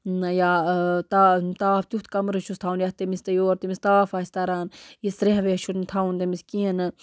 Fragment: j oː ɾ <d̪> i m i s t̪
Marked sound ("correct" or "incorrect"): incorrect